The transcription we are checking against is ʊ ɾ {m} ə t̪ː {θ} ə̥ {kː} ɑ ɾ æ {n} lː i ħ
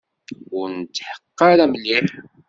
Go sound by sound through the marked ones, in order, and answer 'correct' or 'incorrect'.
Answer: incorrect, incorrect, incorrect, incorrect

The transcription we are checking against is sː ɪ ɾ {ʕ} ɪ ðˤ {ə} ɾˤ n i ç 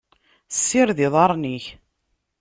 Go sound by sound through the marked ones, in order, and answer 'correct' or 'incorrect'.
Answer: incorrect, incorrect

